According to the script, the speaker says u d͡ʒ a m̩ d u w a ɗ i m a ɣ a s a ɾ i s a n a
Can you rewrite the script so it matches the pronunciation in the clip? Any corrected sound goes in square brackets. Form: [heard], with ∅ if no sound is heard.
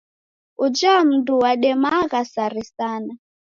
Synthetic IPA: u d͡ʒ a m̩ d u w a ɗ [ɛ] m a ɣ a s a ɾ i s a n a